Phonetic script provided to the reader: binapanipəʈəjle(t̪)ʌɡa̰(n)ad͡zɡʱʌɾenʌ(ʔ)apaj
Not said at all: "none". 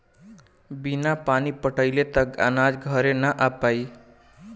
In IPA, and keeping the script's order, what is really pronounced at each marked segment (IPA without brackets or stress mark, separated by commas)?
t̪, n, ʔ